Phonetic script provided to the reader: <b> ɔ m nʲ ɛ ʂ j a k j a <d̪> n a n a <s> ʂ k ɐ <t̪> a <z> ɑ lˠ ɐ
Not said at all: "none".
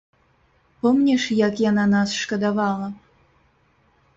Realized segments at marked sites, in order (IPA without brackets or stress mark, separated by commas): p, none, s, d̪, v